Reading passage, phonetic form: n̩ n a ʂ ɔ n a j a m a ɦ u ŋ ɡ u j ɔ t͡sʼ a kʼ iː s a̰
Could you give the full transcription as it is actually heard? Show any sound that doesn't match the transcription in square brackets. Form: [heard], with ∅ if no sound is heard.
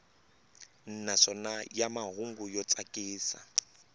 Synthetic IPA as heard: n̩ n a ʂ ɔ n a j a m a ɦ u ŋ ɡ u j ɔ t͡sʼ a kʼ iː s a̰